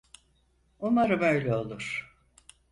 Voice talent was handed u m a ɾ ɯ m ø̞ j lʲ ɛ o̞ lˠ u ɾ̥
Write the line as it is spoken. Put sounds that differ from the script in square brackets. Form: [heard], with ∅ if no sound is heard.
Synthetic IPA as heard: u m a ɾ ɯ m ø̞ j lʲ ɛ o̞ lˠ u ɾ̥